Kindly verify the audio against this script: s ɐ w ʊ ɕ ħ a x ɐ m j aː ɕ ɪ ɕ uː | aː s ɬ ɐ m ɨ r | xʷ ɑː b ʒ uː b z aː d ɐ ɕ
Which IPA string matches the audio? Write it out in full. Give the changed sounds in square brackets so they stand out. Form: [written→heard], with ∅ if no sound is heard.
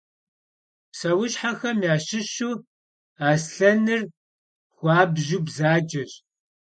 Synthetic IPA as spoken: s ɐ w ʊ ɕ ħ a x ɐ m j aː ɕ ɪ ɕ uː | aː s ɬ ɐ [m→n] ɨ r | xʷ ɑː b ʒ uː b z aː [d→d͡ʒ] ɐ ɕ